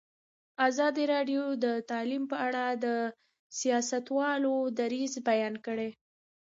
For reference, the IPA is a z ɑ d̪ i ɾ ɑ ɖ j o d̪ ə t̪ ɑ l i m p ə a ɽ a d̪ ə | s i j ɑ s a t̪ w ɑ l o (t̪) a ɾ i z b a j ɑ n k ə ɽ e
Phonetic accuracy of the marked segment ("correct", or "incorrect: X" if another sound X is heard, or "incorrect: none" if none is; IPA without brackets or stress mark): incorrect: d̪